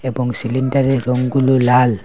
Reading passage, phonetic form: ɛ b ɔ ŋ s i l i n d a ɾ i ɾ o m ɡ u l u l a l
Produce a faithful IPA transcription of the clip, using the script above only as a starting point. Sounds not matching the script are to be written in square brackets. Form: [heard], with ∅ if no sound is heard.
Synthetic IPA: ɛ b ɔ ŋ s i l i n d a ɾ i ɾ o [ŋ] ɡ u l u l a l